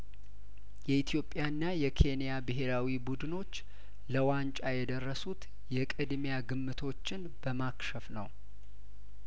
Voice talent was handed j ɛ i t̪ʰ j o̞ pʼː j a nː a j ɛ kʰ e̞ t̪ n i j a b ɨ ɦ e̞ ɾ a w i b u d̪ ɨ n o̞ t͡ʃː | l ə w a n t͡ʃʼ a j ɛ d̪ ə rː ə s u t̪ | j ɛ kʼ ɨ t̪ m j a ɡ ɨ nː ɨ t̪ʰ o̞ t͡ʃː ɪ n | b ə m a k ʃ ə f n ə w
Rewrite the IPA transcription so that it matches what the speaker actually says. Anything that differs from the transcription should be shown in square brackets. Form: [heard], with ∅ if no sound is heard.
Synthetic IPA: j ɛ i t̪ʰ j o̞ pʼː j a nː a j ɛ kʰ e̞ [∅] n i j a b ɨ ɦ e̞ ɾ a w i b u d̪ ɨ n o̞ t͡ʃː | l ə w a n t͡ʃʼ a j ɛ d̪ ə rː ə s u t̪ | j ɛ kʼ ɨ [d̪] m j a ɡ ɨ [mː] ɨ t̪ʰ o̞ t͡ʃː ɪ n | b ə m a k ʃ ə f n ə w